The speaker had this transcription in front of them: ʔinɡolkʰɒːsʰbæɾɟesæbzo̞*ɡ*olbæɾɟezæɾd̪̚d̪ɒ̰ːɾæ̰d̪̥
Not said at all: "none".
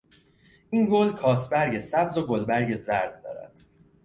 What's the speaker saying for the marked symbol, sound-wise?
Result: ɡ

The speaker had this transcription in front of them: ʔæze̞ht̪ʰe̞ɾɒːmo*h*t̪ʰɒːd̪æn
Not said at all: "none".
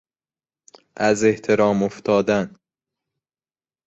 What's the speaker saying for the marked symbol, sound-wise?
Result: f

